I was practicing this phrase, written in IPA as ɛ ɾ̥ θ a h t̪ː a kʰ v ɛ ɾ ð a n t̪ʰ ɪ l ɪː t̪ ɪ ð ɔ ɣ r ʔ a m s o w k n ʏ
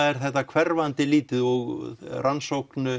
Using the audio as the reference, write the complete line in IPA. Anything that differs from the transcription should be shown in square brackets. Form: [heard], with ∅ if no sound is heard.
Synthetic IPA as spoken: ɛ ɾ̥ θ [ɛ] h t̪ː a kʰ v ɛ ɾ [v] a n [t̪] ɪ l [iː] t̪ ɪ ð ɔ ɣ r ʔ a [n] s o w k n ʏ